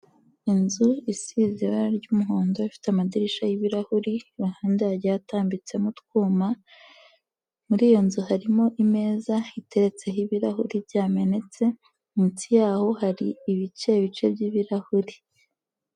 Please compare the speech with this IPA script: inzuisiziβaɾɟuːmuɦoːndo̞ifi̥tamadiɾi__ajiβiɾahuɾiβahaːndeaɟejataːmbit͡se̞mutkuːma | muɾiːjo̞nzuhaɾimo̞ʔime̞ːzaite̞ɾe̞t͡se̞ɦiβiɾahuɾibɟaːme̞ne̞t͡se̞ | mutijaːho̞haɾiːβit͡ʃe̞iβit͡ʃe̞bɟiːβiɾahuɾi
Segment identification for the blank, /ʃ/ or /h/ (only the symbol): ʃ